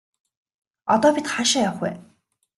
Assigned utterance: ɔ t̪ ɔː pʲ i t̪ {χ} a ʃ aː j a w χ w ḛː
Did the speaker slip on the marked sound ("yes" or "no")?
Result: no